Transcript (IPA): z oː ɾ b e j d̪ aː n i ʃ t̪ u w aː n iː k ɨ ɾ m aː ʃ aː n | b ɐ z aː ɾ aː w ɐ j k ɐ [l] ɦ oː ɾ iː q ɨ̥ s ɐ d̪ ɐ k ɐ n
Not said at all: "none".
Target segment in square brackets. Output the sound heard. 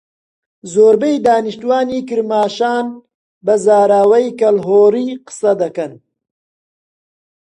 l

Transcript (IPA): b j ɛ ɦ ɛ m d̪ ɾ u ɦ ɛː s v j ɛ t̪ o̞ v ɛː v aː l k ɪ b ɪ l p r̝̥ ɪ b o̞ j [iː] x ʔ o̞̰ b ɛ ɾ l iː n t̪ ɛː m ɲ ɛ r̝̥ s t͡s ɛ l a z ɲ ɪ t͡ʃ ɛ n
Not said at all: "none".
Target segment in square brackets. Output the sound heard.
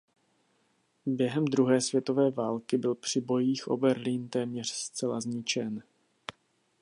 iː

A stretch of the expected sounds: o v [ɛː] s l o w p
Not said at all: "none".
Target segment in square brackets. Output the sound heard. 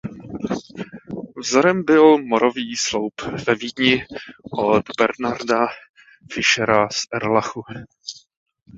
iː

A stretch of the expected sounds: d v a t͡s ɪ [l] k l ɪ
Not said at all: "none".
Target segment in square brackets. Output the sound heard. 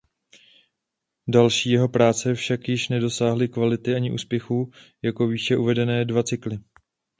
none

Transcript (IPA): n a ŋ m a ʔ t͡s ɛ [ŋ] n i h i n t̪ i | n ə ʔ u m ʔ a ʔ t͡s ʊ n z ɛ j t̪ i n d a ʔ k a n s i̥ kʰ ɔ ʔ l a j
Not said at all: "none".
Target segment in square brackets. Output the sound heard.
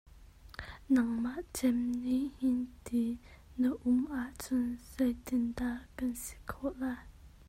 m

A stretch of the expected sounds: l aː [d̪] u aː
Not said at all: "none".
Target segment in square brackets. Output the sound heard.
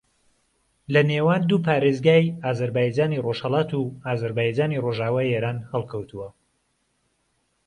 t̪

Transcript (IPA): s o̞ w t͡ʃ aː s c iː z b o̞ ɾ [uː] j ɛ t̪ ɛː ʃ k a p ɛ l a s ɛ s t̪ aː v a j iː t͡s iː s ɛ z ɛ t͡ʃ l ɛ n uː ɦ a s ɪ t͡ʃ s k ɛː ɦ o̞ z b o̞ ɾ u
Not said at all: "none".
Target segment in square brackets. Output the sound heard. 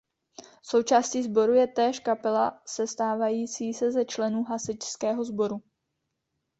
u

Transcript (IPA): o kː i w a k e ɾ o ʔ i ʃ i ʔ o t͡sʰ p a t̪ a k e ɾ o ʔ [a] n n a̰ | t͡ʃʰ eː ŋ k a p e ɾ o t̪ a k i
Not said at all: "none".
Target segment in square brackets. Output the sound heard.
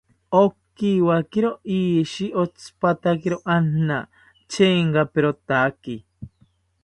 a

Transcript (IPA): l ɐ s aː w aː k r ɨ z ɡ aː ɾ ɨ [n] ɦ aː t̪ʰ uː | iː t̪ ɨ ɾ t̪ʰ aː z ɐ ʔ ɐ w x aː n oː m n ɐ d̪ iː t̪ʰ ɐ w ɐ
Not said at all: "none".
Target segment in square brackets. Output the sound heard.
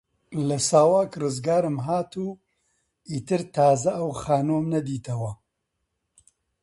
m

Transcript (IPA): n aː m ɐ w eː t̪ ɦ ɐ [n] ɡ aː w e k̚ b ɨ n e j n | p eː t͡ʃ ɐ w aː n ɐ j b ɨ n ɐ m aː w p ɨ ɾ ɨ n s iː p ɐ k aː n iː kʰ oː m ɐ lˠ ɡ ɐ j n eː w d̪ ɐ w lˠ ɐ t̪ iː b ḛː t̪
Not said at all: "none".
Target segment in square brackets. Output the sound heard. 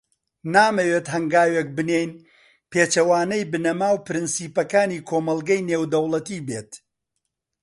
ŋ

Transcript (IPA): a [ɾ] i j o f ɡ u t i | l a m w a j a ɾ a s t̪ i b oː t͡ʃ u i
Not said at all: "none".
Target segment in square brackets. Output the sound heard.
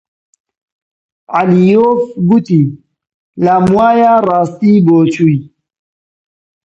l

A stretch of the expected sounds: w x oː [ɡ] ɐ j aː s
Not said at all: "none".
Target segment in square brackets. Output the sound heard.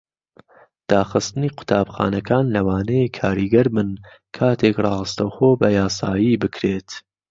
b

